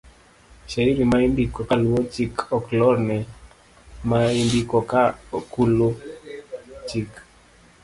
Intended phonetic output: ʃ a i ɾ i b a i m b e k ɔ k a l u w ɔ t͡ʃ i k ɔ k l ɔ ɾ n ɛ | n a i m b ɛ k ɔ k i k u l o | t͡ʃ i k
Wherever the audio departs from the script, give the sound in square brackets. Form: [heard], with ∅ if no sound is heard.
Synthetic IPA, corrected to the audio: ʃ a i ɾ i [m] a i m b [i] k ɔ k a l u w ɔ t͡ʃ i k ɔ k l ɔ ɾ n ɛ | [m] a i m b [i] k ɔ k [a] k u l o | t͡ʃ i k